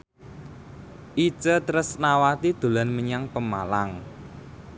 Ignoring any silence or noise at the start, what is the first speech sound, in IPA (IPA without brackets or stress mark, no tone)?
ʔ